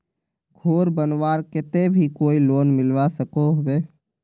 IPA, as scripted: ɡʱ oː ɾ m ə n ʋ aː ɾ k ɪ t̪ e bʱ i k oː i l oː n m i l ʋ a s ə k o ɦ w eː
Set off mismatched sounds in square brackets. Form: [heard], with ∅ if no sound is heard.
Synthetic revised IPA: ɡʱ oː ɾ [b] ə n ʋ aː ɾ k ɪ t̪ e bʱ i k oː i l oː n m [ɪ] l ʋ a s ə k o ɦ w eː